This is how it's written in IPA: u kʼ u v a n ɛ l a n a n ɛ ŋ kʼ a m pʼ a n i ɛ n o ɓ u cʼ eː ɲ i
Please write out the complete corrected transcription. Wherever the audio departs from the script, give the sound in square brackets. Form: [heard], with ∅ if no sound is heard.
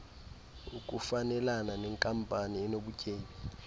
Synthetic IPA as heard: u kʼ u [f] a n ɛ l a n a n ɛ ŋ kʼ a m pʼ a n i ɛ n o ɓ u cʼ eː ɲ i

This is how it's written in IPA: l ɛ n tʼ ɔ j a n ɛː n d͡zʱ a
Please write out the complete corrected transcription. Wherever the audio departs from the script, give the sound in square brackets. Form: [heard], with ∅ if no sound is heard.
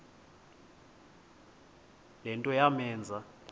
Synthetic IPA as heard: l ɛ n tʼ ɔ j a [m] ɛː n d͡zʱ a

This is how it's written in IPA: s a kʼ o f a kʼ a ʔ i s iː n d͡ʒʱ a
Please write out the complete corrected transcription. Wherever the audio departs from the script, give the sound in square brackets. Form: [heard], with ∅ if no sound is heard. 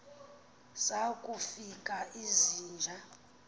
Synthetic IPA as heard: s a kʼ [u] f [i] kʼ a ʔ i [z] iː n d͡ʒʱ a

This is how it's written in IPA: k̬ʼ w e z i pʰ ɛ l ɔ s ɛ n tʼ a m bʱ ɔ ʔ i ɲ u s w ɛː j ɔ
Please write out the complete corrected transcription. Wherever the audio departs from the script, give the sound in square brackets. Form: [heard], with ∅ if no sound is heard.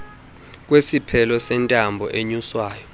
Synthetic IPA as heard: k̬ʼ w e [s] i pʰ ɛ l ɔ s ɛ n tʼ a m bʱ ɔ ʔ [e] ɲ u s w [aː] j ɔ

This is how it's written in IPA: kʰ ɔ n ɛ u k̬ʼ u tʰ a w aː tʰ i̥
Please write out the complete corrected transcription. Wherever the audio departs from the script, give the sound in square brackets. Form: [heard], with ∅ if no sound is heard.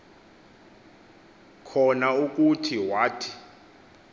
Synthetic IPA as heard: kʰ ɔ n [a] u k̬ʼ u tʰ [i] w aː tʰ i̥

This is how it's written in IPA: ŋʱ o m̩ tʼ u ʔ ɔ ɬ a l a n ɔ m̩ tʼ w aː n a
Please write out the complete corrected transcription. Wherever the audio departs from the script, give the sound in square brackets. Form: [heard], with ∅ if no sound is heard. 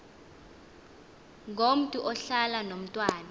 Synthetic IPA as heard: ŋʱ o m̩ tʼ u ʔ ɔ ɬ a l a n [o] m̩ tʼ w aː n a

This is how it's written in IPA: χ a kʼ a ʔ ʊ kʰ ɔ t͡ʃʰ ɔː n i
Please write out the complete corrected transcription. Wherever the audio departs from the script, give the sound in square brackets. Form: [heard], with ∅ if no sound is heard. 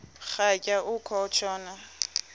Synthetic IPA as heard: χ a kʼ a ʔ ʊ kʰ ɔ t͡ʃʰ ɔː n [a]

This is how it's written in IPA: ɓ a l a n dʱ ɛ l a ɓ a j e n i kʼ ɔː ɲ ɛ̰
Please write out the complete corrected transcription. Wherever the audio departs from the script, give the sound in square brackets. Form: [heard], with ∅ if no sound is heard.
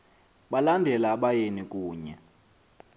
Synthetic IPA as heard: ɓ a l a n dʱ ɛ l a ɓ a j e n i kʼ [uː] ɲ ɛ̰

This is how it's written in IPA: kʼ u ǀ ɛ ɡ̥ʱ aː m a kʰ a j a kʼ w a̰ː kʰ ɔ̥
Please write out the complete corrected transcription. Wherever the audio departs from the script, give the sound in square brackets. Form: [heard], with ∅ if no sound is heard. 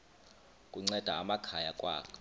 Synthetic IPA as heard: kʼ u [ŋ͡ǀ] ɛ [d̥ʱ] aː m a kʰ a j a kʼ w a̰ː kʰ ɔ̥

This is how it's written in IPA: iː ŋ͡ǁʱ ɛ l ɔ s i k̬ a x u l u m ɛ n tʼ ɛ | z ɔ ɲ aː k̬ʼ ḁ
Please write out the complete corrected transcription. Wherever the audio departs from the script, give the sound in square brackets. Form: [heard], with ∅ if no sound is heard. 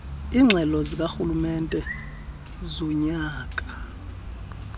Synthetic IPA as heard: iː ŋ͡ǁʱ ɛ l ɔ [z] i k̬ a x u l u m ɛ n tʼ ɛ | z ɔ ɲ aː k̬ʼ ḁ

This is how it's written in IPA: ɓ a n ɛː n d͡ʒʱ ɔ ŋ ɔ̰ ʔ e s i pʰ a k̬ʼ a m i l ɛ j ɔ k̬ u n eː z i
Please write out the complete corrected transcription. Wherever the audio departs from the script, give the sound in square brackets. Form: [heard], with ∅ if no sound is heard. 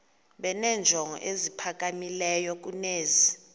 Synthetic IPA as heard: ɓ [ɛ] n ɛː n d͡ʒʱ ɔ ŋ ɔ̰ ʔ e [z] i pʰ a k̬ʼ a m i l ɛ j ɔ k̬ u n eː z i

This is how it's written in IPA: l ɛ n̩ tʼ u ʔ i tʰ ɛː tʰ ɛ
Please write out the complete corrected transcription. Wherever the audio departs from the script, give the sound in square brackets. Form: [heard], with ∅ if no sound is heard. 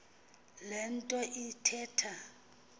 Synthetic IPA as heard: l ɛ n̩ tʼ [ɔ] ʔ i tʰ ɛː tʰ [a]

